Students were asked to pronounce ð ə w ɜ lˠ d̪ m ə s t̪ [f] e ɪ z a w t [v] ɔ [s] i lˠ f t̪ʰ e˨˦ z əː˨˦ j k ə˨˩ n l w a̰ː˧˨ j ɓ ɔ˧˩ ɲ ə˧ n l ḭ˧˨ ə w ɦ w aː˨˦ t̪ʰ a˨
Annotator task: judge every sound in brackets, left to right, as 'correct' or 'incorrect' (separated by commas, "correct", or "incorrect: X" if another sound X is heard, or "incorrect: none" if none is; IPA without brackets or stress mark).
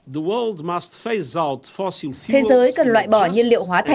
correct, incorrect: f, correct